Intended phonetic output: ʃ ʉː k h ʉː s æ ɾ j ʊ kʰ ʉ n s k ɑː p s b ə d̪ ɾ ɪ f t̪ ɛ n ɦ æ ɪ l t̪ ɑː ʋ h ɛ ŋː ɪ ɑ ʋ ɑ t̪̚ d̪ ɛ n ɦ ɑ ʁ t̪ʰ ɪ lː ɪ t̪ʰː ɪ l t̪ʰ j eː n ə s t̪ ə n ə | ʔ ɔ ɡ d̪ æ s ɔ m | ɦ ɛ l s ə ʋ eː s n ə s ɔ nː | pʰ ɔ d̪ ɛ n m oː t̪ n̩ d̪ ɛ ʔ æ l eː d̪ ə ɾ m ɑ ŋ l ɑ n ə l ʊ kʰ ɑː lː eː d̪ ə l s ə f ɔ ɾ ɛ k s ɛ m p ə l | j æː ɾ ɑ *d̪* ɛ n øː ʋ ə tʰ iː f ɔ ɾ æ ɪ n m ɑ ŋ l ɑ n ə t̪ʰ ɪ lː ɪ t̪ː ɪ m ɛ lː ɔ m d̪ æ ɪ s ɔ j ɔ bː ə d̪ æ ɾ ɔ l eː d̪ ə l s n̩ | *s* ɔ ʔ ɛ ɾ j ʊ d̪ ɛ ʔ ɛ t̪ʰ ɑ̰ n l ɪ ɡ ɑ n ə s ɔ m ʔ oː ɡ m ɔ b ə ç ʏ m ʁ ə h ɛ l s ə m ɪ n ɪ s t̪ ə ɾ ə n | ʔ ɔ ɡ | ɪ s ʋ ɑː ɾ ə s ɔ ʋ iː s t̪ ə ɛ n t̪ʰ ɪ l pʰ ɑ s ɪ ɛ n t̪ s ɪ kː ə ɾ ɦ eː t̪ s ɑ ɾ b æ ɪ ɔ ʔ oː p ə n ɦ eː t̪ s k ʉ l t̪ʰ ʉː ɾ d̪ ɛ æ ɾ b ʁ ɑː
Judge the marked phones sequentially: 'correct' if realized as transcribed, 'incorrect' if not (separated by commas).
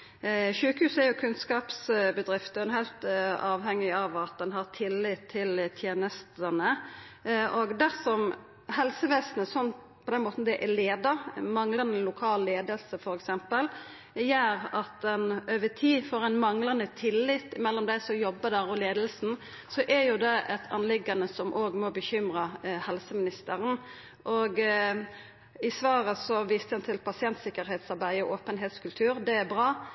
incorrect, correct